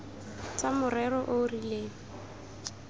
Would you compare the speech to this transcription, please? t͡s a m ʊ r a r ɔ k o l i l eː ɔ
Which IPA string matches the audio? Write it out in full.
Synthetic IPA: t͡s a m ʊ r ɛ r ɔ ʔ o r i l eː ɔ